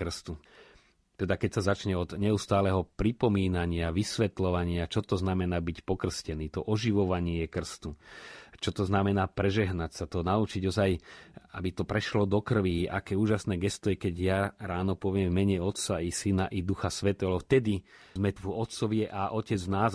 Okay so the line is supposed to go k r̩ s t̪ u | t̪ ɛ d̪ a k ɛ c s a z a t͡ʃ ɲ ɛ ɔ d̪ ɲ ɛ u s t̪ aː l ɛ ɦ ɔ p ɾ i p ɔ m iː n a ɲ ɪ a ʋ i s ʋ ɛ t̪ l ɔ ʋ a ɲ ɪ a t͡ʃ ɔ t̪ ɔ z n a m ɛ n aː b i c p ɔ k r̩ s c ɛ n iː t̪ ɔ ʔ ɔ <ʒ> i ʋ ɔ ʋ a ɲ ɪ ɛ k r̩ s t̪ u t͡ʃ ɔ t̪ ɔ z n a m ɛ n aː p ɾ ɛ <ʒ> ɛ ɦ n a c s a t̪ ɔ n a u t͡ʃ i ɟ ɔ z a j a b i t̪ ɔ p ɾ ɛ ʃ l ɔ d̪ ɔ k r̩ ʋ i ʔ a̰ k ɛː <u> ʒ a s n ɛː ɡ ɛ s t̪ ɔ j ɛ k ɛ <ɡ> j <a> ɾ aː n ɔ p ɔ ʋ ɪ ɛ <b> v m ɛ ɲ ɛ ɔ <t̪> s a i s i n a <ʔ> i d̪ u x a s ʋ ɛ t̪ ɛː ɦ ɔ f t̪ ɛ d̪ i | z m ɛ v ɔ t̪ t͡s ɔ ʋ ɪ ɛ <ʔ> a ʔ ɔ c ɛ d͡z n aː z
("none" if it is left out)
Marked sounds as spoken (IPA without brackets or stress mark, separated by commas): ʒ, ʒ, uː, ɟ, a, m, t̪, ʔ, ʔ